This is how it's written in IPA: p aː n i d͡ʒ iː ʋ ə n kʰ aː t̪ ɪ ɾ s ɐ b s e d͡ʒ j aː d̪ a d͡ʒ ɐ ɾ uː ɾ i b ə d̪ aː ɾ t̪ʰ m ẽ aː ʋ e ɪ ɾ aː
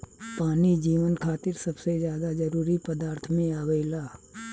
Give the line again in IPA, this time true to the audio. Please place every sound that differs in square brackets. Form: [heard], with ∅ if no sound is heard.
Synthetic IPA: p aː n i d͡ʒ iː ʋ ə n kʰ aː t̪ ɪ ɾ s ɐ b s e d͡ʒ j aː d̪ a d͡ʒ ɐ ɾ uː ɾ i [p] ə d̪ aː ɾ t̪ʰ m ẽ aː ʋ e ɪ [l] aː

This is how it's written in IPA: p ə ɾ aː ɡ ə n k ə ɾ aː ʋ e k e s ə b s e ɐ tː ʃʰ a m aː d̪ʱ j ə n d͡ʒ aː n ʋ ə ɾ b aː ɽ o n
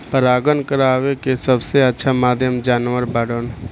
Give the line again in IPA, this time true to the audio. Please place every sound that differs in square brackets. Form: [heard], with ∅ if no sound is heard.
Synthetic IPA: p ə ɾ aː ɡ ə n k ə ɾ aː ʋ e k e s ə b s e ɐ tː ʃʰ a m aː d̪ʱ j ə [m] d͡ʒ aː n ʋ ə ɾ b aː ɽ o n

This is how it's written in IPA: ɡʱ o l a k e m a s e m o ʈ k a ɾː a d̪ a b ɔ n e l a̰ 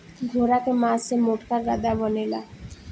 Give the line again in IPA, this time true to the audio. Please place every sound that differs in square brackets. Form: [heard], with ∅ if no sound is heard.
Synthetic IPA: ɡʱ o [ɾ] a k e m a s e m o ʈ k a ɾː a d̪ a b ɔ n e l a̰

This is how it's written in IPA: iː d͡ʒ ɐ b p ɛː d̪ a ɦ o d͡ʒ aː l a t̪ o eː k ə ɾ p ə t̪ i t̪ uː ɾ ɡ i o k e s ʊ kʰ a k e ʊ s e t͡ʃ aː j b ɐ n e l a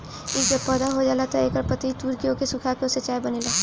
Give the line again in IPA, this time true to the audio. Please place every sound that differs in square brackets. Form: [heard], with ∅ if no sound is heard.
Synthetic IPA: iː d͡ʒ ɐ b p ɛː d̪ a ɦ o d͡ʒ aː l a t̪ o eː k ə ɾ p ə t̪ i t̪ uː ɾ [k] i o k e s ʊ kʰ a k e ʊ s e t͡ʃ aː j b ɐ n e l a

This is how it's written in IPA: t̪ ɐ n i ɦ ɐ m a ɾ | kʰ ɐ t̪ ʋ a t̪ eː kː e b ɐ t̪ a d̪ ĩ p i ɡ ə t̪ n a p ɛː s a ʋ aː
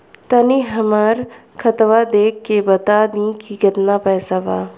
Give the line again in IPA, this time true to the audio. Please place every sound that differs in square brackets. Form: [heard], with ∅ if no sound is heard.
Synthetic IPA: t̪ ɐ n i ɦ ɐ m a ɾ | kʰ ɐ t̪ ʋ a [d̪] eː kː e b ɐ t̪ a d̪ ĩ [k] i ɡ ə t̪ n a p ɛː s a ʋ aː

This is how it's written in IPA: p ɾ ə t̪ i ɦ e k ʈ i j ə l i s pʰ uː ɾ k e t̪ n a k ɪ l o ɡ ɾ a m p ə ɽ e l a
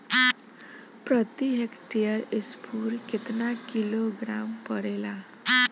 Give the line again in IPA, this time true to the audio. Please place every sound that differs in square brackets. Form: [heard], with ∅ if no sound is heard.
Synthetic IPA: p ɾ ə t̪ i ɦ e k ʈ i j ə [ɾ] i s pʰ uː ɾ k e t̪ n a k [i] l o ɡ ɾ a m p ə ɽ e l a

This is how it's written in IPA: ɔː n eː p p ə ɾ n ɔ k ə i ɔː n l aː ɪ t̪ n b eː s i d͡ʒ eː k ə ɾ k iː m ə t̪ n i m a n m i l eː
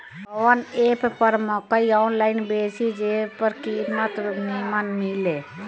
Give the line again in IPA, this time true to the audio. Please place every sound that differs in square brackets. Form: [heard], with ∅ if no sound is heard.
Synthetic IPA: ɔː n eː p p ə ɾ [m] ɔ k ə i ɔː n l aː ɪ [∅] n b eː s i d͡ʒ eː [p] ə ɾ k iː m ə t̪ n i m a n m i l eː

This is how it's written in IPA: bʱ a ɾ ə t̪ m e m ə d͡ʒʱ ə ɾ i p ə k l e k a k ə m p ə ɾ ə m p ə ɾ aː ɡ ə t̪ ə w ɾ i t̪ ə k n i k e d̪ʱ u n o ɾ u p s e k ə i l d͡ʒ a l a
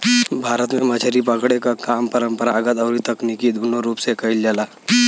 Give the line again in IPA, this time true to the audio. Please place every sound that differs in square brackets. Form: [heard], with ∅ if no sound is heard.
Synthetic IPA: bʱ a ɾ ə t̪ m e m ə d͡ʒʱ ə ɾ i p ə k [ɽ] e k a k [a] m p ə ɾ ə m p ə ɾ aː ɡ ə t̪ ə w ɾ i t̪ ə k n i k [i] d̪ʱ u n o ɾ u p s e k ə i l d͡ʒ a l a

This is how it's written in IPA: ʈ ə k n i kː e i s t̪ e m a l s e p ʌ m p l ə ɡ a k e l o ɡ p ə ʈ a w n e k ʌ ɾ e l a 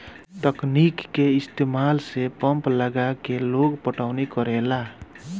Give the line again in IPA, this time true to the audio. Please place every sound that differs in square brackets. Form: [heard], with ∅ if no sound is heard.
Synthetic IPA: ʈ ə k n i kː e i s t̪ e m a l s e p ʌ m p l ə ɡ a k e l o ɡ p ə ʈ a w n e k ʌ ɾ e l a

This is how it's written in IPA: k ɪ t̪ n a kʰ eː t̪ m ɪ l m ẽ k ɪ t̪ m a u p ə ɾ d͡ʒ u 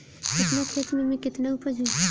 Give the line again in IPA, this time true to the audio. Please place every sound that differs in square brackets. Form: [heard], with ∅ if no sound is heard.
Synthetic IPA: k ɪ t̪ n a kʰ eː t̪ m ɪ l m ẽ k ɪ t̪ [n] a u p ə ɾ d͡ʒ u

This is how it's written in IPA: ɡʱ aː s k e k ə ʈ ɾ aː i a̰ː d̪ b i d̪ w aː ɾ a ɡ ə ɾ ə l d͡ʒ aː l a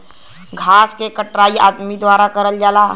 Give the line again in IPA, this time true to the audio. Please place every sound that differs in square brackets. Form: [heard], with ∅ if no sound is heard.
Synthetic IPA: ɡʱ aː s k e k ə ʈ ɾ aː i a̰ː d̪ [m] i d̪ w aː ɾ a [k] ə ɾ ə l d͡ʒ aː l a

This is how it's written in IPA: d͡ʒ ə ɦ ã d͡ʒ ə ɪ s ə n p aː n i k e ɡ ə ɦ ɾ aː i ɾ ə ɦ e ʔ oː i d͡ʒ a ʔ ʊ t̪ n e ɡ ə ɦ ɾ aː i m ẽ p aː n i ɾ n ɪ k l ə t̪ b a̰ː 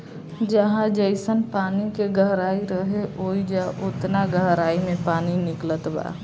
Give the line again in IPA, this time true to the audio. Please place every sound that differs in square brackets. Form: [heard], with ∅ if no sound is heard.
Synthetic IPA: d͡ʒ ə ɦ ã d͡ʒ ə ɪ s ə n p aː n i k e ɡ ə ɦ ɾ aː i ɾ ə ɦ e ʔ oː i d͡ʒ a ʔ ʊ t̪ n [a] ɡ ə ɦ ɾ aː i m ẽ p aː n i [∅] n ɪ k l ə t̪ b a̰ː

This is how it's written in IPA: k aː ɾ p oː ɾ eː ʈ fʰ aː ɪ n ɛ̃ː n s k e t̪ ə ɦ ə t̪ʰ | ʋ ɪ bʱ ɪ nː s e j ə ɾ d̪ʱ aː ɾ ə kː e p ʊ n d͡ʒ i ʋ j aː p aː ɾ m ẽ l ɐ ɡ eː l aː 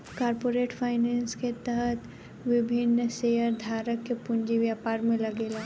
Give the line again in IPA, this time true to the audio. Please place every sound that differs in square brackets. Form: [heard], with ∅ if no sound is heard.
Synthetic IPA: k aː ɾ p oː ɾ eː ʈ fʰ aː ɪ n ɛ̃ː n s k e t̪ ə ɦ ə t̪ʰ | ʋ ɪ bʱ ɪ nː s e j ə ɾ d̪ʱ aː ɾ ə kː e p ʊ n d͡ʒ i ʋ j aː p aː ɾ m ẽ l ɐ ɡ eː l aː

